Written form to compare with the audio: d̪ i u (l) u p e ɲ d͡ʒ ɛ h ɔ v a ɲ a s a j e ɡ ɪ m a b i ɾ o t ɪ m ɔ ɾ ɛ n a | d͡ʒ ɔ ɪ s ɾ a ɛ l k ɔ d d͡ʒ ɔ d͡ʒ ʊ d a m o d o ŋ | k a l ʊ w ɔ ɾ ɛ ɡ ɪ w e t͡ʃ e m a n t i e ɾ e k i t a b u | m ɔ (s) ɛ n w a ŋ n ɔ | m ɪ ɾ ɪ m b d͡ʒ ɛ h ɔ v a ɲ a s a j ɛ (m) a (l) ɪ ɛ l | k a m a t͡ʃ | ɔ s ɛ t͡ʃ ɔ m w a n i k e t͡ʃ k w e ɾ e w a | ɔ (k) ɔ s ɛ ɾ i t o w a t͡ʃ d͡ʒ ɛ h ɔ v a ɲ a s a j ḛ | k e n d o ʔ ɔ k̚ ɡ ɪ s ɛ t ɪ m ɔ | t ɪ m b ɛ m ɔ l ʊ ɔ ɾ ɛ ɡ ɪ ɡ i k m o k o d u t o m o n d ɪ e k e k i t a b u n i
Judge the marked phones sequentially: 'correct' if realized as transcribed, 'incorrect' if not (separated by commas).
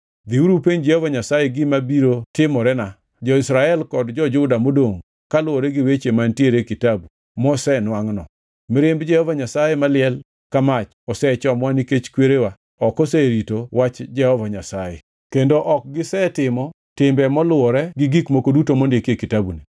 incorrect, correct, correct, correct, correct